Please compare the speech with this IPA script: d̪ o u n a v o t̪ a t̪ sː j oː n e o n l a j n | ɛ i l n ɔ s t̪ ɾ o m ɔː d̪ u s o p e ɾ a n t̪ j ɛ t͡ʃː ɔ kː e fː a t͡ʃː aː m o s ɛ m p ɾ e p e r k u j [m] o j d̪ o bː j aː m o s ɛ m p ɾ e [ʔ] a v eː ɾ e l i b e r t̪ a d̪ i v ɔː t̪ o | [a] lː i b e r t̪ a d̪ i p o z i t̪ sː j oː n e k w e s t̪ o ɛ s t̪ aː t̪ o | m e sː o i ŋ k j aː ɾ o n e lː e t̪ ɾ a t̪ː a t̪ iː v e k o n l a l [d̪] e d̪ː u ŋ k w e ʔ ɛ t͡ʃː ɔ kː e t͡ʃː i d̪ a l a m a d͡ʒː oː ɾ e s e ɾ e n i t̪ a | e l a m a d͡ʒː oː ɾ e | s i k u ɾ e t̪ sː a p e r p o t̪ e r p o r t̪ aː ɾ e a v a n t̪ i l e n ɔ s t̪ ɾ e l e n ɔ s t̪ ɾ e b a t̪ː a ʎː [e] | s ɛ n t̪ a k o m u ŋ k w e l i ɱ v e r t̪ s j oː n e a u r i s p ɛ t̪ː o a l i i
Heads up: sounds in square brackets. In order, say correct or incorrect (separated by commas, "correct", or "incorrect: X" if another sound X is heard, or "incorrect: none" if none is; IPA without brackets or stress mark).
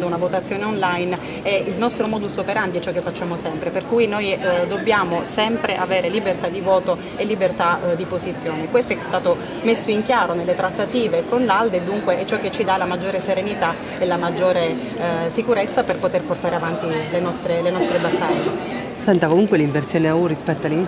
incorrect: n, correct, incorrect: e, correct, correct